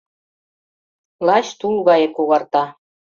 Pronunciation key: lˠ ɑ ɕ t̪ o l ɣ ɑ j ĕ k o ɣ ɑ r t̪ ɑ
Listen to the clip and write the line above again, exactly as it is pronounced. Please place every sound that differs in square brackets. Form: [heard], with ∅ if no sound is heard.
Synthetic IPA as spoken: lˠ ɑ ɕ t̪ [u] l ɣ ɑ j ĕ k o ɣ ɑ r t̪ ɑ